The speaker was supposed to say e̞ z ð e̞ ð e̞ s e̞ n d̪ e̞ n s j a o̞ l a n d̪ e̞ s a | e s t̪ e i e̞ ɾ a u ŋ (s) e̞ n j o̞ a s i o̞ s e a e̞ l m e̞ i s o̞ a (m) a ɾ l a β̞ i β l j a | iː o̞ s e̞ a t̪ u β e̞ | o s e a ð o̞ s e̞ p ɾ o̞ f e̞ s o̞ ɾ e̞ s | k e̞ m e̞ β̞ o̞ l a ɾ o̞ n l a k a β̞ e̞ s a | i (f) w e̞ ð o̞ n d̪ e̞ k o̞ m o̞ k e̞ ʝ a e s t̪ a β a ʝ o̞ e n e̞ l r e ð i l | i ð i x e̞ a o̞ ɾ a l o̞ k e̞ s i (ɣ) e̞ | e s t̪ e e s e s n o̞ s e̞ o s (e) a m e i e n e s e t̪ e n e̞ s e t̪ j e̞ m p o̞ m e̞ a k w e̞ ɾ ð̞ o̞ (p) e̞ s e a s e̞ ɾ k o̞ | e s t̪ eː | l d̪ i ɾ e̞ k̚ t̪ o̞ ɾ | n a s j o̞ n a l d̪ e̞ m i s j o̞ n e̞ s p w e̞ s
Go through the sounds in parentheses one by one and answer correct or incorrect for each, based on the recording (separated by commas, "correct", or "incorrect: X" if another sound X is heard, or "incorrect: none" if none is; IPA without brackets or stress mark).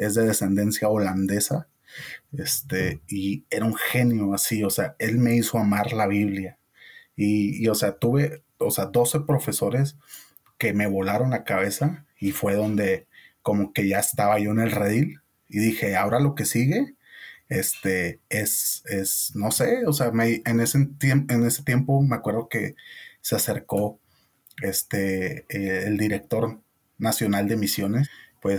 incorrect: x, correct, correct, correct, correct, incorrect: k